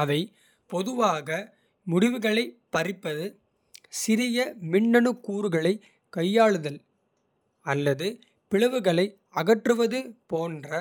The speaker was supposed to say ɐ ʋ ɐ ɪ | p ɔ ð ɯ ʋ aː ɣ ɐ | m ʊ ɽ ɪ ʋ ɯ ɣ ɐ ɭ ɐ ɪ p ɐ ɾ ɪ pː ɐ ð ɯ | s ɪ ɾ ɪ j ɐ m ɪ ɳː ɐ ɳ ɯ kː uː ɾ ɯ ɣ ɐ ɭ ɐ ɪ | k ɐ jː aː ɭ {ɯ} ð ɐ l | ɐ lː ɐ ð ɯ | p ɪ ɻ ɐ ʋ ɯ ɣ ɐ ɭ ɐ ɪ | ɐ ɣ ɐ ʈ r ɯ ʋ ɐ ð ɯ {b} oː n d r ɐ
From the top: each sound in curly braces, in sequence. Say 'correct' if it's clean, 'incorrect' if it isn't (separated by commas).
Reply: correct, incorrect